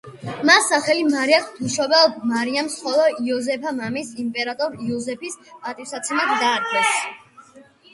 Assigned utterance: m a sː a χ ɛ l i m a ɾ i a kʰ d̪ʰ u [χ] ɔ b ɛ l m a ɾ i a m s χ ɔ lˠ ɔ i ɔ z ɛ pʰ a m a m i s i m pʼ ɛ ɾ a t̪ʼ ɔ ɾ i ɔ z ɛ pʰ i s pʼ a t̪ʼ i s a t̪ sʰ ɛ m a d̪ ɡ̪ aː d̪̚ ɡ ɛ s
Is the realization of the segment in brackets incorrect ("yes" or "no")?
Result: yes